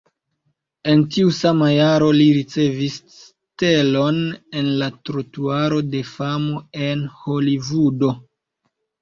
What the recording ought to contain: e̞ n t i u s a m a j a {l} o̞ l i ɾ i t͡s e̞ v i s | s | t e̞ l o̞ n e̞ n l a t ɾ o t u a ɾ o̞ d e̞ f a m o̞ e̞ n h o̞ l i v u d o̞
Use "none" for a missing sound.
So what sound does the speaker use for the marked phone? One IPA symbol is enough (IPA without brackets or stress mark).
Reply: ɾ